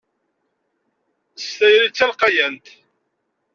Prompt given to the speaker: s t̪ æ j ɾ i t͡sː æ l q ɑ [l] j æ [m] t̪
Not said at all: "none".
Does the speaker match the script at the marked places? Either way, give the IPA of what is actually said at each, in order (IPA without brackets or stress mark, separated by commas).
none, n